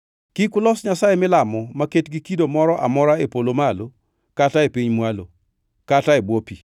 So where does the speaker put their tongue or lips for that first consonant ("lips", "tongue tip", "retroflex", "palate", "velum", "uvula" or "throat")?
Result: velum